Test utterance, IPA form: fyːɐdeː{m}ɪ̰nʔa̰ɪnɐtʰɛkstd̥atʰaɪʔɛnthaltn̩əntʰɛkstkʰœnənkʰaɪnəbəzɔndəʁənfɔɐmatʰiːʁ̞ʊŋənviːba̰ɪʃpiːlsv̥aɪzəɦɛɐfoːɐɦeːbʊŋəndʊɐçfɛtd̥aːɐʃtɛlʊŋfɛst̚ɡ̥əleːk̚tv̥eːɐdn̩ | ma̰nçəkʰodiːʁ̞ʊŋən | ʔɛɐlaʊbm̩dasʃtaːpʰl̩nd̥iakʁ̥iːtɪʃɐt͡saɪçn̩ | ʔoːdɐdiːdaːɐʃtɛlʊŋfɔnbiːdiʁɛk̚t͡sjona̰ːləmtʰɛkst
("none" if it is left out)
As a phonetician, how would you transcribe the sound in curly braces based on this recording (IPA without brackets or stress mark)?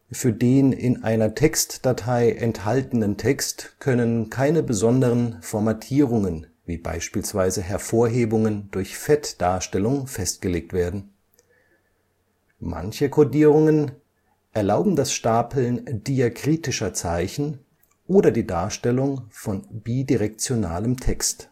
n